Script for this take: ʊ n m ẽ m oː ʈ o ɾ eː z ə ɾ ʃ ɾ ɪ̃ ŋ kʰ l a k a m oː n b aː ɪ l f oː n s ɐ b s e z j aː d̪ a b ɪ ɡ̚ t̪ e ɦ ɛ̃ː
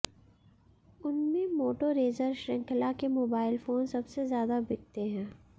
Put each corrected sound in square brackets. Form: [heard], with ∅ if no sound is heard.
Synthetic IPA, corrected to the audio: ʊ n m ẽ m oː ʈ o ɾ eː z ə ɾ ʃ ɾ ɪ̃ ŋ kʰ l a k [e] m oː [∅] b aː ɪ l f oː n s ɐ b s e z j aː d̪ a b ɪ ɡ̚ t̪ e ɦ ɛ̃ː